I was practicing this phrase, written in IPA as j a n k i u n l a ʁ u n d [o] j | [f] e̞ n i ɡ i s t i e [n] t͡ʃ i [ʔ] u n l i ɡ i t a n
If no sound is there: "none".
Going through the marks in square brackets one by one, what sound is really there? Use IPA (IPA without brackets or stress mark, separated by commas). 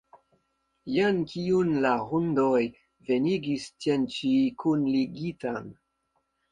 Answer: o, v, n, k